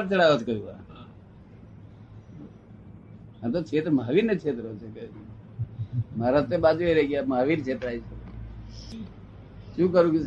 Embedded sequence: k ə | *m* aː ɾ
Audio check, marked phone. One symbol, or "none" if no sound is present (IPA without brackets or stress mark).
m